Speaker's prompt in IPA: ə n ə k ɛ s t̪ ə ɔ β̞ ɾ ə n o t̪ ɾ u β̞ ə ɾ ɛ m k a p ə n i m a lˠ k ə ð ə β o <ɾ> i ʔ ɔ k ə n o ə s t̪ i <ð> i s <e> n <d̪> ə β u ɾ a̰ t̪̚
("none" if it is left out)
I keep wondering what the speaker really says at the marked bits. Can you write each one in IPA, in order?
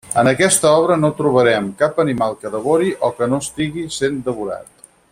ɾ, ɣ, e, d̪

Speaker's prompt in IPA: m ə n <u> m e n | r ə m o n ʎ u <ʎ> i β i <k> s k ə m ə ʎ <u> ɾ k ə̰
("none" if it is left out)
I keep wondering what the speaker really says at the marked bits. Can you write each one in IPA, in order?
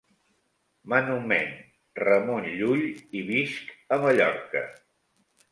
u, ʎ, none, ɔ

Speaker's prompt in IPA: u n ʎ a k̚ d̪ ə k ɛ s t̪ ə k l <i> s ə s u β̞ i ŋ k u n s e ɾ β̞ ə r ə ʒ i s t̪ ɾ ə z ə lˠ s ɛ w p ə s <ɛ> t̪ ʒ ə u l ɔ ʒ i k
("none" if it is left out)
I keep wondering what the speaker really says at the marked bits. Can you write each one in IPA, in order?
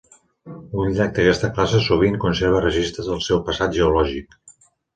a, a

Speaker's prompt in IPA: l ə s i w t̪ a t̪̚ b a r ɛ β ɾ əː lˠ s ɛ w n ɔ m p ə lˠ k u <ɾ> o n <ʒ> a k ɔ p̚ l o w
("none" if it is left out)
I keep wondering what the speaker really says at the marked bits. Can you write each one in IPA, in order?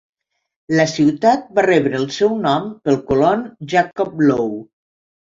l, ʒ

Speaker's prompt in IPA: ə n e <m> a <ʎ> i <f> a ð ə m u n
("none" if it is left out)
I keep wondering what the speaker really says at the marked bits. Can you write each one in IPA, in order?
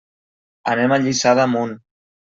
m, ʎ, s

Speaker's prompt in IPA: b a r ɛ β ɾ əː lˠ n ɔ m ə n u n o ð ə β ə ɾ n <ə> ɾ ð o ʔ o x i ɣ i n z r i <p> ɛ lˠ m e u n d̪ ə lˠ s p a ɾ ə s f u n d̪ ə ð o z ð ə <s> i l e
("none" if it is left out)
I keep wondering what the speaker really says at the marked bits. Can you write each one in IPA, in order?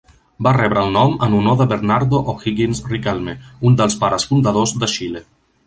a, k, ʃ

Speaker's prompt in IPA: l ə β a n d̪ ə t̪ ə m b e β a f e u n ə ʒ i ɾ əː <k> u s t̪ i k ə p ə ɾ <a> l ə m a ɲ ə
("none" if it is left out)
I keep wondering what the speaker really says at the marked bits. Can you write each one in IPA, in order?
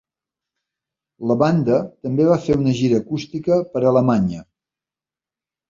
k, ə

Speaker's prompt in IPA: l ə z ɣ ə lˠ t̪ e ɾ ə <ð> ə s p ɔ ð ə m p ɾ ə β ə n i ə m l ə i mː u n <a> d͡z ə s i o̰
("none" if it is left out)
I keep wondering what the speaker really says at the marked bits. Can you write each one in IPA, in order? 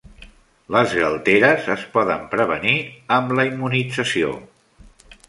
z, i

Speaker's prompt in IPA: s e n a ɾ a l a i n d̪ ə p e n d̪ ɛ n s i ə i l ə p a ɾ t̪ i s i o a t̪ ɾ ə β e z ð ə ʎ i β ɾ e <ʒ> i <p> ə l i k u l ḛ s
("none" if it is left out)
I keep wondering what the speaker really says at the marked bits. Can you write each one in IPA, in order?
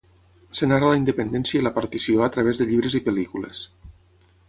z, p

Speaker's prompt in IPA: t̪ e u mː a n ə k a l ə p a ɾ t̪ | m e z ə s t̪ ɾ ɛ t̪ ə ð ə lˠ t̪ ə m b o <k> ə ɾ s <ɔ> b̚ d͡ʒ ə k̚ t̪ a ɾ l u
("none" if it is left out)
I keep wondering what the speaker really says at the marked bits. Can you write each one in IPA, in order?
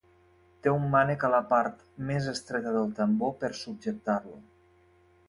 p, u

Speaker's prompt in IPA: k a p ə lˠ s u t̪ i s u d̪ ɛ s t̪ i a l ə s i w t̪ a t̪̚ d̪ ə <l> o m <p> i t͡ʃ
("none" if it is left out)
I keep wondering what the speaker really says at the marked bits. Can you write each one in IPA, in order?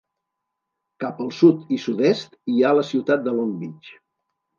l, b

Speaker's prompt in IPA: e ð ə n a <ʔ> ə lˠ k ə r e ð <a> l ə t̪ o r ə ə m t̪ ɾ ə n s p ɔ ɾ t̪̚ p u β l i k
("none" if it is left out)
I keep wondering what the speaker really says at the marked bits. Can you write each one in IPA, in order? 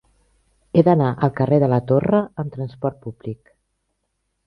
ʔ, ə

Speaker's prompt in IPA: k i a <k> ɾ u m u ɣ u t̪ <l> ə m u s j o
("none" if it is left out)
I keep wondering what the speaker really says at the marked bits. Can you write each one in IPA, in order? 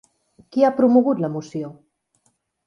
p, l

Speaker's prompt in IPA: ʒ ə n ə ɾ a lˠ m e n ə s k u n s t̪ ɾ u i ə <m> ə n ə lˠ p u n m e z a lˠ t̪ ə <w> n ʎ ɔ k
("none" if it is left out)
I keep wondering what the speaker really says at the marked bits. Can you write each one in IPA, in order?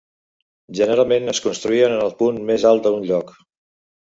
n, u

